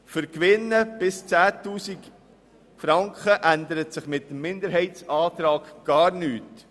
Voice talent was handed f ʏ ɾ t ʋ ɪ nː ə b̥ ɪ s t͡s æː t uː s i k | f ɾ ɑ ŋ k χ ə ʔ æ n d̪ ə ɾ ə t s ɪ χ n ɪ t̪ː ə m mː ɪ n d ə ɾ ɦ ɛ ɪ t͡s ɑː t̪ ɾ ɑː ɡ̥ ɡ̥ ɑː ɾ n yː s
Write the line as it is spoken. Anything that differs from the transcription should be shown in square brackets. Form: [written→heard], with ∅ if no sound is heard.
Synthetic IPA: f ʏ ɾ [t→k] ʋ ɪ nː ə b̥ ɪ s t͡s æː t uː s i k | f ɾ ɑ ŋ k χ ə ʔ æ n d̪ ə ɾ ə t s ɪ χ [n→m] ɪ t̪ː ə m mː ɪ n d ə ɾ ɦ ɛ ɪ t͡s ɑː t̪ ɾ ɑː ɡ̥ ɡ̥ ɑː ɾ n yː [s→t]